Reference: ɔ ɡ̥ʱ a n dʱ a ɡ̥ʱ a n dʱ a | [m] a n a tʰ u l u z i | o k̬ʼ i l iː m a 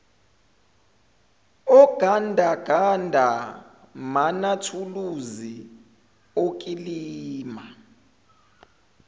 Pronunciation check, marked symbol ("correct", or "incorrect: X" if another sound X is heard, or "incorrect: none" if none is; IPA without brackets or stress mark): correct